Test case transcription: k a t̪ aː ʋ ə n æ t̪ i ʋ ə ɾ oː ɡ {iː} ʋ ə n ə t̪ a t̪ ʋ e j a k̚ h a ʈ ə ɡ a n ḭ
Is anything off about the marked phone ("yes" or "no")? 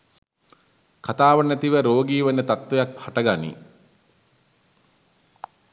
no